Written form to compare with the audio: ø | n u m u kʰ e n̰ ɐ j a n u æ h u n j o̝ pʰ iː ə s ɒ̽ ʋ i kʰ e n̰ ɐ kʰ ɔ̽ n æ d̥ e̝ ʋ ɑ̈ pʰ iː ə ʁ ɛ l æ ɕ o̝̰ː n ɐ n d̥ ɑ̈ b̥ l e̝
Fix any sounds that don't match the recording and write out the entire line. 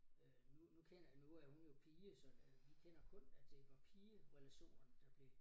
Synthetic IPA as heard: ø | n u n u kʰ e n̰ ɐ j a n u æ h u n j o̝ pʰ iː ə s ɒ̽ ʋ i kʰ e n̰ ɐ kʰ ɔ̽ n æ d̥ e̝ ʋ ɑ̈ pʰ iː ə ʁ ɛ l æ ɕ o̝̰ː n ɐ n d̥ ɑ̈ b̥ l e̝